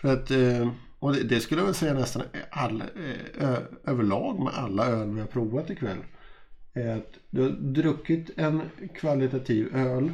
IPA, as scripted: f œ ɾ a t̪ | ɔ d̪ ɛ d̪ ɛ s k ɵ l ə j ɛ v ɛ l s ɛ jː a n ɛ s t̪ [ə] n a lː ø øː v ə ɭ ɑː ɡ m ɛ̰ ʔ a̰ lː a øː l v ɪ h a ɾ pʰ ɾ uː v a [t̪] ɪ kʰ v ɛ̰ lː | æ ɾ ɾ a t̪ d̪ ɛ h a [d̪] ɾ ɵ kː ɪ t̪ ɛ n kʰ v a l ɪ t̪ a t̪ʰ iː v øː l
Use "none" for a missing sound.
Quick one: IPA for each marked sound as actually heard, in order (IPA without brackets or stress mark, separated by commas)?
a, t̪, d̪